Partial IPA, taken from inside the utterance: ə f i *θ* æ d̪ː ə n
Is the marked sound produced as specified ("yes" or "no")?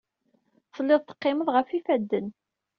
no